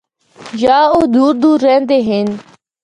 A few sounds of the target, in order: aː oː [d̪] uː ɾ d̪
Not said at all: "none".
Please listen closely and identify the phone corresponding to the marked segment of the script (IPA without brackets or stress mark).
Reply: d̪